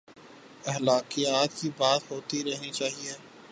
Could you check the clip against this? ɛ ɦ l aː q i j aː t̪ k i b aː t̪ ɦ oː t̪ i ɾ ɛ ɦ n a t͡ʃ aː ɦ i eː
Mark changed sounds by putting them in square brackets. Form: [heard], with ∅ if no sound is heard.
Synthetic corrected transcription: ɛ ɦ l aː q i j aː t̪ k i b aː t̪ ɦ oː t̪ i ɾ ɛ ɦ n [i] t͡ʃ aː ɦ i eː